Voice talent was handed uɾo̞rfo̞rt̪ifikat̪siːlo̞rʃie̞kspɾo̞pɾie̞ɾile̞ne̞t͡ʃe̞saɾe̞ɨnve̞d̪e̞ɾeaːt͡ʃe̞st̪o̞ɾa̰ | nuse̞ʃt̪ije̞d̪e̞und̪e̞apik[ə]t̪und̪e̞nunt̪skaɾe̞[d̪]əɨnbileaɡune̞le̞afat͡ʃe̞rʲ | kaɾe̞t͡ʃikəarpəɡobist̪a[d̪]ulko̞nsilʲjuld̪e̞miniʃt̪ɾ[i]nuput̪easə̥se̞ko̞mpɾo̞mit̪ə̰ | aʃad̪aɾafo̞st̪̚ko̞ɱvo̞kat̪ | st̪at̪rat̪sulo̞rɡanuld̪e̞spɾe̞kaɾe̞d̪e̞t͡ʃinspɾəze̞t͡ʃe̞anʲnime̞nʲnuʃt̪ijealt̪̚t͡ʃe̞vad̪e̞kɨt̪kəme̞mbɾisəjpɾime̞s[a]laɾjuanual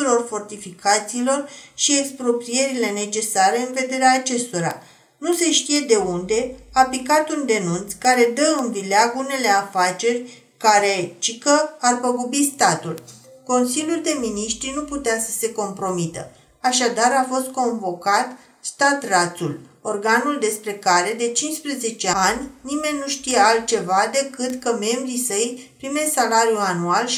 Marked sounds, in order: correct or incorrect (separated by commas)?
incorrect, correct, incorrect, correct, correct